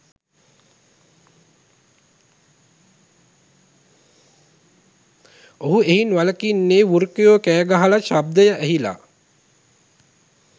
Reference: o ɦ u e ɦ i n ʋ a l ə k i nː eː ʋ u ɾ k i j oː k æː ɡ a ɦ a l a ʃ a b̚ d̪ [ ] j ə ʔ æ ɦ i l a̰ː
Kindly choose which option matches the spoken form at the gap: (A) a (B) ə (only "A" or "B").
B